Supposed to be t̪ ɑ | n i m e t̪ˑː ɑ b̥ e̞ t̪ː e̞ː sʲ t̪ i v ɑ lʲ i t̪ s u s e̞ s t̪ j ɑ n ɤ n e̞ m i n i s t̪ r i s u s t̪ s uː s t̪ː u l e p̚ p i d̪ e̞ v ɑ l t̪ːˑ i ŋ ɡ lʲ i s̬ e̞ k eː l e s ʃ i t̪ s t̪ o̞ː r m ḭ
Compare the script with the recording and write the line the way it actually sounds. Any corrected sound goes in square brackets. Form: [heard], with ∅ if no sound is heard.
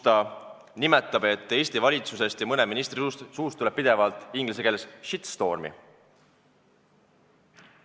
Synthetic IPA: t̪ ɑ | n i m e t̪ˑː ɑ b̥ e̞ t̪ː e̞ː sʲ t̪ i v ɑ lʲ i t̪ s u s e̞ s t̪ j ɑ [m] ɤ n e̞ m i n i s t̪ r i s u s t̪ s uː s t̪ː u l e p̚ p i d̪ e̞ v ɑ l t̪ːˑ i ŋ ɡ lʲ i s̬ e̞ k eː l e s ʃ i t̪ s t̪ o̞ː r m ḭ